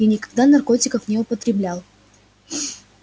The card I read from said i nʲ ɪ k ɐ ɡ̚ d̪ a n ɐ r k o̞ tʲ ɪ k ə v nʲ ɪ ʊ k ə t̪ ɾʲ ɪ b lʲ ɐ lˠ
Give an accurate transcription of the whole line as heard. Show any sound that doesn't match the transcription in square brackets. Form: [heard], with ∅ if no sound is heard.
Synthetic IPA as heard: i nʲ ɪ k ɐ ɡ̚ d̪ a n ɐ r k o̞ tʲ ɪ k ə [f] nʲ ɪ ʊ [p] ə t̪ ɾʲ ɪ b lʲ [a] lˠ